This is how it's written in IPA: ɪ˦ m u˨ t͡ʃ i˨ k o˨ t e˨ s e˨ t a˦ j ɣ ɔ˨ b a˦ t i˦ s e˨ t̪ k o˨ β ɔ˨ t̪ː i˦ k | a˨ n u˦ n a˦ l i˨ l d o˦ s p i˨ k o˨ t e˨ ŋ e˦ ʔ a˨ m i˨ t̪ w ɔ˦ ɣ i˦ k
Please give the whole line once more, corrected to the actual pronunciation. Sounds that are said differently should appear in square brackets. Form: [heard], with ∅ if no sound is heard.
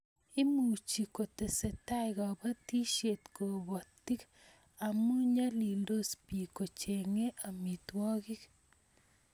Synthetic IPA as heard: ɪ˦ m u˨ t͡ʃ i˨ k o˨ t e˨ s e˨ t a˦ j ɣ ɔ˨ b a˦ t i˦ [ʃ] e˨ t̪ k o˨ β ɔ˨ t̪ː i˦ k | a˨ [m] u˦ [ɲ] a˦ l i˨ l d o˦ s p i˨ k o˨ [t͡ʃ] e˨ ŋ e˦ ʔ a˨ m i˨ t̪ w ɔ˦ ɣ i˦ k